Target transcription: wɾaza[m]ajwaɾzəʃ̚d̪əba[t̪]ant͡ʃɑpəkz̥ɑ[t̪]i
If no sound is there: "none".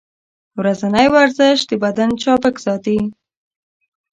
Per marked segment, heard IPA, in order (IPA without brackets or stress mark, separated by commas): n, d̪, t̪